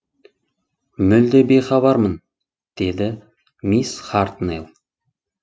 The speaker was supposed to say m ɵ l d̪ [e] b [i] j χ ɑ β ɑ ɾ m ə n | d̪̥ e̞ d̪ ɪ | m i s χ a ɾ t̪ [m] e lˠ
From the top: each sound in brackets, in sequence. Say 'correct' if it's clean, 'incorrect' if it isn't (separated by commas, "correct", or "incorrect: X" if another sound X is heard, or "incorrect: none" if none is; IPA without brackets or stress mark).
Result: correct, incorrect: e, incorrect: n